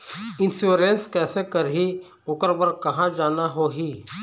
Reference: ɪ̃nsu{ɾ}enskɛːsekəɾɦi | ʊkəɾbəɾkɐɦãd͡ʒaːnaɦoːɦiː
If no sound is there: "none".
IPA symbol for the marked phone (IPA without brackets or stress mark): ɾ